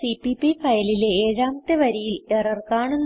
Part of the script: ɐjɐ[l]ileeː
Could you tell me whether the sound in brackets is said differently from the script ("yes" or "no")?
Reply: no